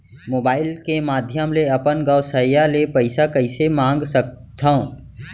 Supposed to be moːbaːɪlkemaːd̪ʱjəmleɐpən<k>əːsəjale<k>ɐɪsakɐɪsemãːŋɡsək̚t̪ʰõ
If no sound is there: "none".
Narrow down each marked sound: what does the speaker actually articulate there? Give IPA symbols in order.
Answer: ɡ, p

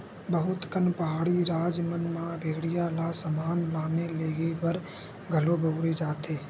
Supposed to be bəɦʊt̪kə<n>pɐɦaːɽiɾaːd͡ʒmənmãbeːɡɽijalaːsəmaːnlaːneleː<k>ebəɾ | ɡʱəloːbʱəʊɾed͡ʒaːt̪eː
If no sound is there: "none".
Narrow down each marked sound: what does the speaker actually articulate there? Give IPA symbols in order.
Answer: n, ɡ

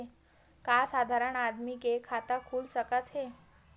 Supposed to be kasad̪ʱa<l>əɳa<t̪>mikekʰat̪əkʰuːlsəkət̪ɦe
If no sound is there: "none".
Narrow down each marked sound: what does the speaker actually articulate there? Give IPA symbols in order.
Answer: ɾ, d̪

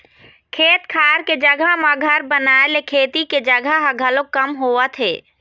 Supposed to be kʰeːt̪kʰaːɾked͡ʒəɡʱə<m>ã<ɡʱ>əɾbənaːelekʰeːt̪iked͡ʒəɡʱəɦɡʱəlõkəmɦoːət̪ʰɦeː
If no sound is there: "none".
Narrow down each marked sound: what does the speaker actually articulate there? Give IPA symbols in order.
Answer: m, ɡʱ

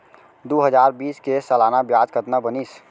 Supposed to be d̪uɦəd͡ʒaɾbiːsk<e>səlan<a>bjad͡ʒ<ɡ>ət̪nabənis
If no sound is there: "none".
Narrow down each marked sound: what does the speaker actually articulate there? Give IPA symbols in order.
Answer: e, a, k

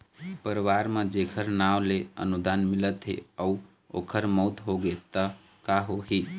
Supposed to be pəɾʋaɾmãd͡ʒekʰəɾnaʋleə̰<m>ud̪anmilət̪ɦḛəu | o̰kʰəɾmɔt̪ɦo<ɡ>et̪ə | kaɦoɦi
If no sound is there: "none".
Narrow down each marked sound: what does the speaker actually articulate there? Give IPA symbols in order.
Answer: n, ɡ

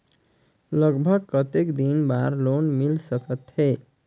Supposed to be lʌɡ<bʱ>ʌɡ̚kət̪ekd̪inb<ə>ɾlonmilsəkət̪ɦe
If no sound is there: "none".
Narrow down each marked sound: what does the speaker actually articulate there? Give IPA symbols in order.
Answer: bʱ, a

